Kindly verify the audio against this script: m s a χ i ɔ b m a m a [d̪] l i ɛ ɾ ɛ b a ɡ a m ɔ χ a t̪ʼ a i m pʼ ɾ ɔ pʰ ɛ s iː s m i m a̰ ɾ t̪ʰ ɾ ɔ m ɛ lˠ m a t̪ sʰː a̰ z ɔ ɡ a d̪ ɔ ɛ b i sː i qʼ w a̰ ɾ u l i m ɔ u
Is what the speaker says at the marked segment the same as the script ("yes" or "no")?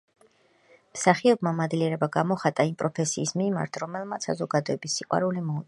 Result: yes